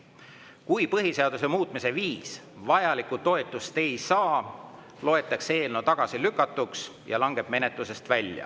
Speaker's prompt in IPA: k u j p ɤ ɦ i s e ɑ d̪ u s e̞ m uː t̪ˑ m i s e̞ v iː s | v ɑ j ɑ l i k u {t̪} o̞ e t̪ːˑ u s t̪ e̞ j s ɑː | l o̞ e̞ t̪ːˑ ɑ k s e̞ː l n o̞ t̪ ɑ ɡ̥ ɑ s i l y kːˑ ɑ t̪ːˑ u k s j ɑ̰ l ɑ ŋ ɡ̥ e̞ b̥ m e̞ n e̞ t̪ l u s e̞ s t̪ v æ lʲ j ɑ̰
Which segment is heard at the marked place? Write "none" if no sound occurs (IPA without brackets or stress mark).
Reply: t̪